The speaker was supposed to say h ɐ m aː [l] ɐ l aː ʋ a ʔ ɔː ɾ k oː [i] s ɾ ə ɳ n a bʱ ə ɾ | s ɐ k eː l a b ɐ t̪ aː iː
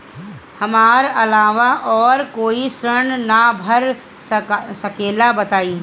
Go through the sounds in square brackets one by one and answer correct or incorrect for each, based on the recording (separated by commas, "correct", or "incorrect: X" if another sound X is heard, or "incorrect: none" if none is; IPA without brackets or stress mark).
incorrect: ɾ, correct